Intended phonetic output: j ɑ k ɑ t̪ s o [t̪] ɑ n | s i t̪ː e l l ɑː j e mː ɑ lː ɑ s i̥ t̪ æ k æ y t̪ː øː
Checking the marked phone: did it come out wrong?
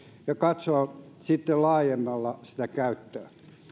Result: yes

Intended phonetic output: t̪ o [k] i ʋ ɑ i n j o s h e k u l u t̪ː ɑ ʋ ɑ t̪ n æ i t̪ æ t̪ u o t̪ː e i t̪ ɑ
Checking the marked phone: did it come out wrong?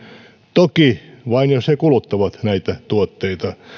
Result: no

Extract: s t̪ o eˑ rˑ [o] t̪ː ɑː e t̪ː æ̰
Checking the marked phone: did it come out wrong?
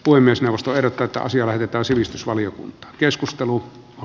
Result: no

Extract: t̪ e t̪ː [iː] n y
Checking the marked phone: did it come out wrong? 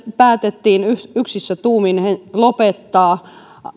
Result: no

